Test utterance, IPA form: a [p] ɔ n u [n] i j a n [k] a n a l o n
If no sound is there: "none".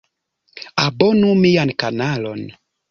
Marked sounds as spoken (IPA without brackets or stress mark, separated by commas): b, m, k